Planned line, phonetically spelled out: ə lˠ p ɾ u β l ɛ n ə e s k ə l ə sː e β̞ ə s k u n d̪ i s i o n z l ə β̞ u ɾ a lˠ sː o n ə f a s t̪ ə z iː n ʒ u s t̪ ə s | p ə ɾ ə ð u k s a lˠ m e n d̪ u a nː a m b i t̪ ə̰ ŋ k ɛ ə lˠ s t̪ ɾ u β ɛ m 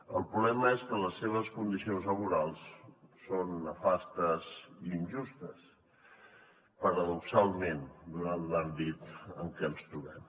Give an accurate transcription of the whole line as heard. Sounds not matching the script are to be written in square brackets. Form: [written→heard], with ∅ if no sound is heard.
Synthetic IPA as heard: ə lˠ p ɾ u β l ɛ [n→m] ə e s k ə l ə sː e β̞ ə s k u n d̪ i s i o n z l ə β̞ u ɾ a lˠ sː o [n→nː] ə f a s t̪ ə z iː n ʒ u s t̪ ə s | p ə ɾ ə ð u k s a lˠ m e n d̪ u a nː a m b i t̪ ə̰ ŋ k ɛ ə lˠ s t̪ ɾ u β ɛ m